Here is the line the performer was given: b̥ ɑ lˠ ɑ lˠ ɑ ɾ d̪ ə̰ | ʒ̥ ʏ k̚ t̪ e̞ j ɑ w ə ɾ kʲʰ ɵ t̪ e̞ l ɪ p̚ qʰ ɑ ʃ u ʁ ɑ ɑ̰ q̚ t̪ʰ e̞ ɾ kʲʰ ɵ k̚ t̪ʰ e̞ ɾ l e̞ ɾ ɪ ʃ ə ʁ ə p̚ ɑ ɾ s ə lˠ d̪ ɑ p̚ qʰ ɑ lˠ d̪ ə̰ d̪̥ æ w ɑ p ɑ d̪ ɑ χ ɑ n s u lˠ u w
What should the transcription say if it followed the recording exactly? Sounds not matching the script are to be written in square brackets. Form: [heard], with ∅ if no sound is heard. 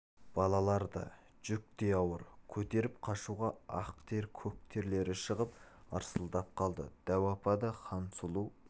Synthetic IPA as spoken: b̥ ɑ lˠ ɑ lˠ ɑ ɾ d̪ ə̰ | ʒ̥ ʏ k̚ t̪ e̞ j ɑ w ə ɾ kʲʰ ɵ t̪ e̞ [ɾ] ɪ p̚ qʰ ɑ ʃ u ʁ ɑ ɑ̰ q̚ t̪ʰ e̞ ɾ kʲʰ ɵ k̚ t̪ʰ e̞ ɾ l e̞ ɾ ɪ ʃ ə ʁ ə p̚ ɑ ɾ s ə lˠ d̪ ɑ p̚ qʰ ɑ lˠ d̪ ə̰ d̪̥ æ w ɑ p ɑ d̪ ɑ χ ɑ n s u lˠ u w